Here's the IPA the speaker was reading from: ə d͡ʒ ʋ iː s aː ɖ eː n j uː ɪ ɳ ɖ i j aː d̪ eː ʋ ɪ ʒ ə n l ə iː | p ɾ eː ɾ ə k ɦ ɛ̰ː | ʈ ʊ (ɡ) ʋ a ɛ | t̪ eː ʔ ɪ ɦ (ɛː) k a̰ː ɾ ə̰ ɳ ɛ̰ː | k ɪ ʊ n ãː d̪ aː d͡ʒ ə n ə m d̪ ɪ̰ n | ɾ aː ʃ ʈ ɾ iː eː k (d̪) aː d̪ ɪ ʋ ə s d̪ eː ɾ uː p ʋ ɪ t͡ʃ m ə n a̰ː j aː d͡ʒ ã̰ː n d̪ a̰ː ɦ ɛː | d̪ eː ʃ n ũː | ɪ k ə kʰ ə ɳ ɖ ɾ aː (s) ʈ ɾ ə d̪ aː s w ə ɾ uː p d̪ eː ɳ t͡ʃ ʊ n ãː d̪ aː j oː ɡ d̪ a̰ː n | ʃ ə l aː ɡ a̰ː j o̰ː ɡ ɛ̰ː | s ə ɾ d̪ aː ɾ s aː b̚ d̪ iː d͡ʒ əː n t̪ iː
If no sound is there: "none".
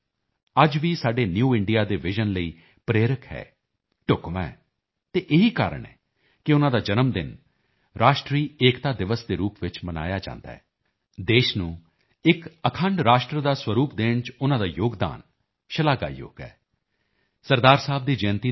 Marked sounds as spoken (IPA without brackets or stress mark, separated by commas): k, iː, t̪, ʃ